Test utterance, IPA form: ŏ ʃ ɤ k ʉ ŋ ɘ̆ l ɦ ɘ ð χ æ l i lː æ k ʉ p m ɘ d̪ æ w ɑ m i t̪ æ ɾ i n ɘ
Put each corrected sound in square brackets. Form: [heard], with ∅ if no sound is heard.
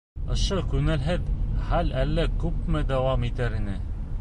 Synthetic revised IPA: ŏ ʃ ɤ k ʉ ŋ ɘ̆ l ɦ ɘ ð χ æ l [æ] lː æ k ʉ p m ɘ d̪ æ w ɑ m i t̪ æ ɾ i n ɘ